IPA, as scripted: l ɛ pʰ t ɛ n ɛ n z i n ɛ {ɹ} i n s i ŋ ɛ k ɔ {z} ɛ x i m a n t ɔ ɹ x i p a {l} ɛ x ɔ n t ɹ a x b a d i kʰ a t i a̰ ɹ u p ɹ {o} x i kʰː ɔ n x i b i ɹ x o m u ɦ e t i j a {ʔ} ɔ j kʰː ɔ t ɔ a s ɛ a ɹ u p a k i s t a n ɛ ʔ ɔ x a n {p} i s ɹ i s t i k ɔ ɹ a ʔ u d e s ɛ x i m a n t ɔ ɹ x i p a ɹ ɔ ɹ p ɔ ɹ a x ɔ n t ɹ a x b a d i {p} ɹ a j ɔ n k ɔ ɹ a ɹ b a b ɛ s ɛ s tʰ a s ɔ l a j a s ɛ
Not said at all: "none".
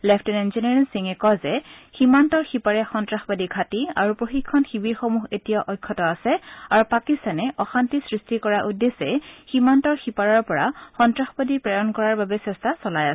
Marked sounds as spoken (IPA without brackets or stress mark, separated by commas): ɹ, z, ɹ, o, ʔ, t, p